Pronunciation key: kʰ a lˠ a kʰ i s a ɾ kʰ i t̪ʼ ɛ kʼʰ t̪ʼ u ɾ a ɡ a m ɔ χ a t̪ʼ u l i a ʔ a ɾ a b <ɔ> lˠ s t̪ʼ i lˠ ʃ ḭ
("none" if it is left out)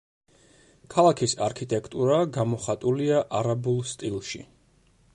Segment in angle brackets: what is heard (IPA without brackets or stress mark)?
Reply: u